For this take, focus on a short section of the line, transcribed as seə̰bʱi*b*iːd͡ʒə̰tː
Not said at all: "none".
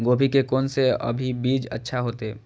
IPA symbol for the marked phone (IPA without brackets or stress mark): b